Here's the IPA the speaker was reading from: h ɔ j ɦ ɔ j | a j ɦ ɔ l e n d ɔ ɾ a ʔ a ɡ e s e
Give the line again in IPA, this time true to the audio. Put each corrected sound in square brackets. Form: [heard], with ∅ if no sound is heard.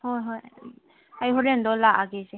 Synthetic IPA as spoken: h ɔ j ɦ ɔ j | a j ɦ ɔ [ɾ] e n d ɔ [l] a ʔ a ɡ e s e